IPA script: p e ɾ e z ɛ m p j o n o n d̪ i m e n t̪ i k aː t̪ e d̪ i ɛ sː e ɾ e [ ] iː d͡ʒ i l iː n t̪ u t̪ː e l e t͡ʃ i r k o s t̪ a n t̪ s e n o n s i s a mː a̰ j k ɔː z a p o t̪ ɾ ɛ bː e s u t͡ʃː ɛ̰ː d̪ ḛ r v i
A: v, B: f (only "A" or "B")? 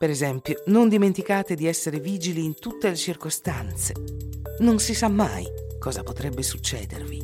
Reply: A